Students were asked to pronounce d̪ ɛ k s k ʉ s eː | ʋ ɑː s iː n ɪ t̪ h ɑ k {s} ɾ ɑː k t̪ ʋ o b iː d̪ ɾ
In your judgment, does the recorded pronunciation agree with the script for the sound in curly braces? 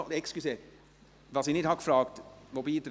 no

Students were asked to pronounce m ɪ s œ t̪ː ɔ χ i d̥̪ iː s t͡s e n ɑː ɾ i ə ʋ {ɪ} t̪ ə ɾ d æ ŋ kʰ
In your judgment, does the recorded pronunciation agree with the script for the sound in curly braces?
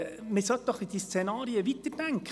no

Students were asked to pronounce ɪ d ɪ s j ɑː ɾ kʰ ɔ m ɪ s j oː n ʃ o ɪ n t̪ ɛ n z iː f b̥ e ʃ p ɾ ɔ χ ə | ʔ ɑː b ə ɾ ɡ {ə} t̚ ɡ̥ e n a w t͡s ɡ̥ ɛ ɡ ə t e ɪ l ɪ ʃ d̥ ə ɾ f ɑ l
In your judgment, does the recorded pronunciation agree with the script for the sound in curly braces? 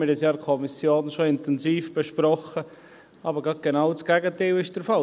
no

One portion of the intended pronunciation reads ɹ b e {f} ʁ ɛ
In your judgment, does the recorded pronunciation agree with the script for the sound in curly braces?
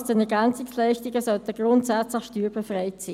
yes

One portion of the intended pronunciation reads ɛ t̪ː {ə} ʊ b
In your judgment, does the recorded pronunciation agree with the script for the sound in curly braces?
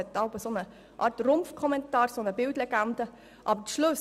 no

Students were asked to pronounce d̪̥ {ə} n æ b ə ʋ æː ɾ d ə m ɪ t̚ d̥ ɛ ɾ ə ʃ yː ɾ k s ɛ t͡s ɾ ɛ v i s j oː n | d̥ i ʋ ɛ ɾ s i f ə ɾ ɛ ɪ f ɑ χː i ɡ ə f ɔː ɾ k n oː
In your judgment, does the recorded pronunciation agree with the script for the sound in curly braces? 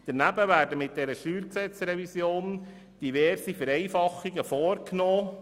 yes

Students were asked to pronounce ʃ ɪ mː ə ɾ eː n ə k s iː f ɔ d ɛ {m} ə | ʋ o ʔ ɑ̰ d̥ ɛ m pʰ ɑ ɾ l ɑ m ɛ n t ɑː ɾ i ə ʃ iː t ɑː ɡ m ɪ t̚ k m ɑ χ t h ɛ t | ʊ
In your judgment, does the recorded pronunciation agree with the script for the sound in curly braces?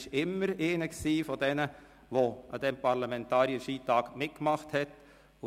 no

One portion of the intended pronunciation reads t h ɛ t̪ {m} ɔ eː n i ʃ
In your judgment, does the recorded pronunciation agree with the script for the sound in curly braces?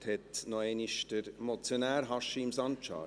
no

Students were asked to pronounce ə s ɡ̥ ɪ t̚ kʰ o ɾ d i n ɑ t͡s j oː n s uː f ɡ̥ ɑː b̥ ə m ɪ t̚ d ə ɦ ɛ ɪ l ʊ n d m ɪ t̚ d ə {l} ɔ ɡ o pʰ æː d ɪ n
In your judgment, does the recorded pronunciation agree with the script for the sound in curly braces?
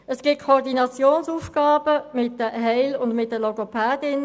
yes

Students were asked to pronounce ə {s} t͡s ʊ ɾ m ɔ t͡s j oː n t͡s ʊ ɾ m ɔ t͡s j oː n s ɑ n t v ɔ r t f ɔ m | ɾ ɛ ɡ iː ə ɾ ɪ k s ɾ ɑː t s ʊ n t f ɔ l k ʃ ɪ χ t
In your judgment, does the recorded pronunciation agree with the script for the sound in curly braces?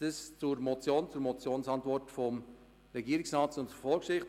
yes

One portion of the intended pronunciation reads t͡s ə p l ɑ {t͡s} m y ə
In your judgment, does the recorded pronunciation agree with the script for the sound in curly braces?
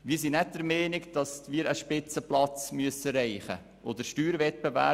yes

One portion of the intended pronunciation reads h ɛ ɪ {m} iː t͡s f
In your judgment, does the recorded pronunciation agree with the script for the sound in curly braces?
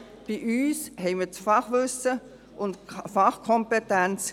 yes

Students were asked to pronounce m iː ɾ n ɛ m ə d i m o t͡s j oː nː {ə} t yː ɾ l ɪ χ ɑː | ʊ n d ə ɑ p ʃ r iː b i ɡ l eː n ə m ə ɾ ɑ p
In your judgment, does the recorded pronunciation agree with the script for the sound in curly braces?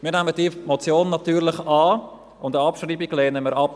no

